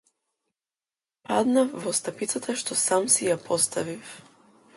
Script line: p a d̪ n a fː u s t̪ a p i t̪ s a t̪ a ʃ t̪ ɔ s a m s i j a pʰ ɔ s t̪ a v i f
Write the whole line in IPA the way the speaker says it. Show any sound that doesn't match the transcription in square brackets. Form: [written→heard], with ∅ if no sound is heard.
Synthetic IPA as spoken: p a d̪ n a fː [u→ɔ] s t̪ a p i t̪ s a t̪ a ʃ t̪ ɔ s a m s i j a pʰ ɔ s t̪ a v i f